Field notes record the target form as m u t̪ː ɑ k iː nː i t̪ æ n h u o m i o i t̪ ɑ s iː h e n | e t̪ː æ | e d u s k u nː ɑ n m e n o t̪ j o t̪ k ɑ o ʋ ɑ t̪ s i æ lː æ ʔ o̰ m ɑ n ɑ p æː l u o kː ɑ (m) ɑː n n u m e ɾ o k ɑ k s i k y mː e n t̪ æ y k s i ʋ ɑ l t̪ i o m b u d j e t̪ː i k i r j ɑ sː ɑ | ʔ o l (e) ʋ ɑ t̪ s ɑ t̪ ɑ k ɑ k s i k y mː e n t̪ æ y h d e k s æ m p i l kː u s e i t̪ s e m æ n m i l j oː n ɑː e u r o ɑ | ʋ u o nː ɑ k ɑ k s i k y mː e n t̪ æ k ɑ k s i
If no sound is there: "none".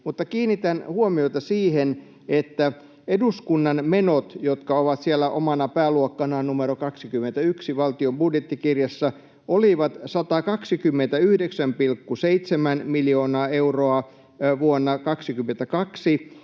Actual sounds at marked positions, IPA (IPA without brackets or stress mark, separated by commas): n, i